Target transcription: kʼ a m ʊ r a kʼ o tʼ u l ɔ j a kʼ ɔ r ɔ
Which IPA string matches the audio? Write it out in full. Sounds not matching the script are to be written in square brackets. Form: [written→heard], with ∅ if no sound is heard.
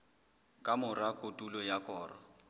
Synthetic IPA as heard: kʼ a m ʊ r a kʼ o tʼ u l ɔ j a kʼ [ɔ→ɔː] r ɔ